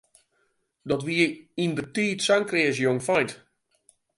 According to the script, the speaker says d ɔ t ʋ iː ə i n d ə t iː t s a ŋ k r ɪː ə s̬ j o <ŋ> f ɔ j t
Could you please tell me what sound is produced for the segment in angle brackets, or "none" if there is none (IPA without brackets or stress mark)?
ŋ